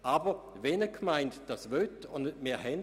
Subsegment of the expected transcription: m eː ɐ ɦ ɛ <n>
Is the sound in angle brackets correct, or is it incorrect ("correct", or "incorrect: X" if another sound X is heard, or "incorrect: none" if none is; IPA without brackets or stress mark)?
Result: correct